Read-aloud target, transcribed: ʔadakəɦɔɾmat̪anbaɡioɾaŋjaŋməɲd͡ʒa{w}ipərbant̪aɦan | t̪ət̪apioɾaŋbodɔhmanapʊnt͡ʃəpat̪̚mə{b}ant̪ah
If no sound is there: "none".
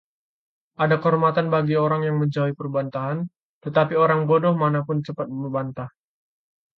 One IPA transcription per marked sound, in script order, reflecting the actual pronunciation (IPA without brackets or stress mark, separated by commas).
w, b